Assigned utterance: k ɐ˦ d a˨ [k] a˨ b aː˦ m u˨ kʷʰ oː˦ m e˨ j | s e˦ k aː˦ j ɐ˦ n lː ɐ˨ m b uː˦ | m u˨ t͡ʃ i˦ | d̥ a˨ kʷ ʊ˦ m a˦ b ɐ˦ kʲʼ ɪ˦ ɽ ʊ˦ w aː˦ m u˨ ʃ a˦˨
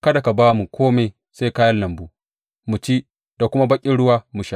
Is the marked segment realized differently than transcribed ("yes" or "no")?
no